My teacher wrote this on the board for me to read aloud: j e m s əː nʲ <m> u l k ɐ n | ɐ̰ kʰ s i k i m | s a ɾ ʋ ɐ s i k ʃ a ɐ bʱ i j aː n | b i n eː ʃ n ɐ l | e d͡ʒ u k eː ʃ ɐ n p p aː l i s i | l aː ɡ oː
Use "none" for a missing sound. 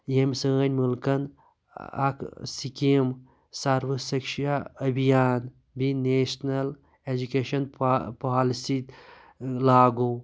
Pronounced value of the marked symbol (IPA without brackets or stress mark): m